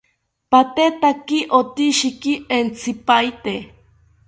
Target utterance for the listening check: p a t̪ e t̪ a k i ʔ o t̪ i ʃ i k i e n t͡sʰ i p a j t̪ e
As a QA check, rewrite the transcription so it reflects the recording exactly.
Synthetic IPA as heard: p a t̪ e t̪ a k i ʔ o t̪ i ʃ i k i e n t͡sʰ i p a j t̪ e

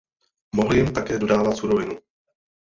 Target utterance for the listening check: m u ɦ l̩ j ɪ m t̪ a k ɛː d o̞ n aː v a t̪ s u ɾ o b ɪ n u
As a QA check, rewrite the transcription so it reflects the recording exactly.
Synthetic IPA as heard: m o ɦ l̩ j ɪ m t̪ a k ɛː d o̞ d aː v a t̪ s u ɾ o v ɪ n u

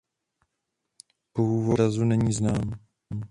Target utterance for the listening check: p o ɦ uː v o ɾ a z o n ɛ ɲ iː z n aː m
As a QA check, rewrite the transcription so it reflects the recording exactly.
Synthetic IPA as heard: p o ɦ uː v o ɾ a z u n ɛ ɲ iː z n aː m

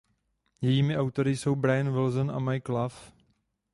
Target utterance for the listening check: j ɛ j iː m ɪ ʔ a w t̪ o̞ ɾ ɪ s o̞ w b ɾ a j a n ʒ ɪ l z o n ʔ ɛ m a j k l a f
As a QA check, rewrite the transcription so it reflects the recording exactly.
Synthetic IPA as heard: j ɛ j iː m ɪ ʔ a w t̪ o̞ ɾ ɪ s o̞ w b ɾ a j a n v ɪ l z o n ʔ a m a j k l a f

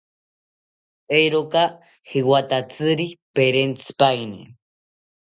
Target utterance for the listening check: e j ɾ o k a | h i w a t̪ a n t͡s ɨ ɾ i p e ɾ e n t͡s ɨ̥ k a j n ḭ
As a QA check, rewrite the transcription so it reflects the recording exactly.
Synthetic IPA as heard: e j ɾ o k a | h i w a t̪ a t͡s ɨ ɾ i p e ɾ e n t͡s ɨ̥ p a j n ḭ

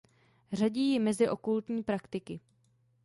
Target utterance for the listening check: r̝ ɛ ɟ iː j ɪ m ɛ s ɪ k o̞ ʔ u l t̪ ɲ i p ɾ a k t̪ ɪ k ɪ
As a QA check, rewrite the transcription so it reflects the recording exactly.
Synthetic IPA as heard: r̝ a ɟ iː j ɪ m ɛ z ɪ ʔ o̞ k u l t̪ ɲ iː p ɾ a k t̪ ɪ k ɪ

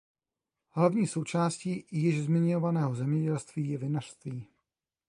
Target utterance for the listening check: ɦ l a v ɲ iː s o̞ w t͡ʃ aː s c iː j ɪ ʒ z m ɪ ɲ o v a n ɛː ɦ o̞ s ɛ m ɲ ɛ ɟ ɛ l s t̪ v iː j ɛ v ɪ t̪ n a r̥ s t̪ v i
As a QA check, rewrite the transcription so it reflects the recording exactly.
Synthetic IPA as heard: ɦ l a v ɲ iː s o̞ w t͡ʃ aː s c iː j ɪ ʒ z m ɪ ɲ o v a n ɛː ɦ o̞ z ɛ m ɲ ɛ ɟ ɛ l s t̪ v iː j ɛ v ɪ n a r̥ s t̪ v iː

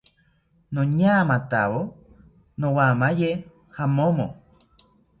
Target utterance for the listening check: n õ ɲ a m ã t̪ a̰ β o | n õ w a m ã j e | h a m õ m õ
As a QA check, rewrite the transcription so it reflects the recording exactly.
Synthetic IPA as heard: n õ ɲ a m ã t̪ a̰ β o | n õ w a m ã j e | h a m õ m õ

